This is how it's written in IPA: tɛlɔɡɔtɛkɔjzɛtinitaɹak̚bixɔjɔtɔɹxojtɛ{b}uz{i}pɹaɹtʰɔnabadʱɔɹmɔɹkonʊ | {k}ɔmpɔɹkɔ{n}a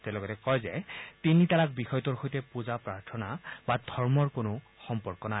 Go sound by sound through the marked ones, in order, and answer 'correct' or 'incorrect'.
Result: incorrect, incorrect, incorrect, correct

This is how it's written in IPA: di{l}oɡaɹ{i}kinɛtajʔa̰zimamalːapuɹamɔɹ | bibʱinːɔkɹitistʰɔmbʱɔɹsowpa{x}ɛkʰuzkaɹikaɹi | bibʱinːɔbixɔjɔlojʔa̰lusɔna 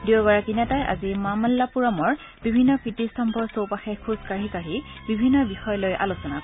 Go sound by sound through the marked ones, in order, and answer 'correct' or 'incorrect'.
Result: incorrect, incorrect, correct

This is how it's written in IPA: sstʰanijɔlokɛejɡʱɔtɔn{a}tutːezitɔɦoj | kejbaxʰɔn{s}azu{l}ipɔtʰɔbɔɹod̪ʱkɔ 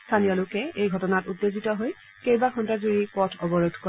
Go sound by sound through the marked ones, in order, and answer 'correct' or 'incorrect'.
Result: correct, incorrect, incorrect

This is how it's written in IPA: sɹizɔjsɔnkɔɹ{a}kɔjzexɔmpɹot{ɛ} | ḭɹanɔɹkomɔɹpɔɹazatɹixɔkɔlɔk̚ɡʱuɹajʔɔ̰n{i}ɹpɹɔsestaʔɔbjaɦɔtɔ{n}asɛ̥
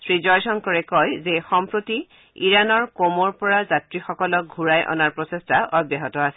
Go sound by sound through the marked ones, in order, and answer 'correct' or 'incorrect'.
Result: incorrect, incorrect, incorrect, incorrect

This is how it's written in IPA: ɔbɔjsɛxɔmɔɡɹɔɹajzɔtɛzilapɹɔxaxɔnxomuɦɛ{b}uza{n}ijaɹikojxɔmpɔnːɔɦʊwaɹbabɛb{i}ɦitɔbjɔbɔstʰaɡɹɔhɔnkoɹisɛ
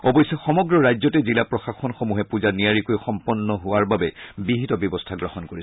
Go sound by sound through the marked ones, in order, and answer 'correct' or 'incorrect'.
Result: incorrect, correct, correct

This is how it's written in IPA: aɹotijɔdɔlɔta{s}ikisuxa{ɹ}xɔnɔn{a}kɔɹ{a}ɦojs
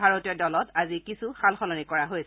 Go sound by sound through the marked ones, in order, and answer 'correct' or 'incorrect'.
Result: incorrect, incorrect, incorrect, correct

